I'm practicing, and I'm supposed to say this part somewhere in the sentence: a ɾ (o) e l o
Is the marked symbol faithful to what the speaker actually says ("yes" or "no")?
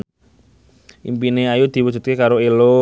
yes